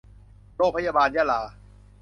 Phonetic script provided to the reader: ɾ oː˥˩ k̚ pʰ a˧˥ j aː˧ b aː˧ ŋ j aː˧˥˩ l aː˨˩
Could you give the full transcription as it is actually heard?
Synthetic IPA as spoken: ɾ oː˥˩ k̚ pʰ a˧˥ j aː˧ b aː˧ n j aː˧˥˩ l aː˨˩